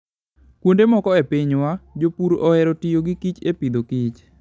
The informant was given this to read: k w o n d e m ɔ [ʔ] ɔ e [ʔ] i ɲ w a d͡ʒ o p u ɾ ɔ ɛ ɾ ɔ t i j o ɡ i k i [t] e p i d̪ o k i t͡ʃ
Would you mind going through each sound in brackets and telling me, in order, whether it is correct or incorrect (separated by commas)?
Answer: incorrect, incorrect, incorrect